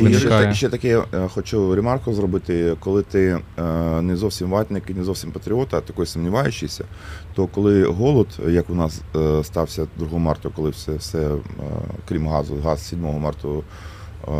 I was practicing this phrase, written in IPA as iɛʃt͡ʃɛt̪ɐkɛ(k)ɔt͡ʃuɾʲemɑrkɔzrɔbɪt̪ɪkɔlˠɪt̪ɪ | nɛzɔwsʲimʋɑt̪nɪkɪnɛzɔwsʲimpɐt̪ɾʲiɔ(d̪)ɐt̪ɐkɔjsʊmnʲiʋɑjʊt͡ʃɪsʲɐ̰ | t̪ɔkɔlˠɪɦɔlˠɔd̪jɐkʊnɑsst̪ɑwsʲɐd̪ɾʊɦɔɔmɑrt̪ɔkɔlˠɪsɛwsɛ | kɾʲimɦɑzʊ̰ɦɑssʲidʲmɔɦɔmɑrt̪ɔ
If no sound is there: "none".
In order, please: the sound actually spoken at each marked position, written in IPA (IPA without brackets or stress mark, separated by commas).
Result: x, t̪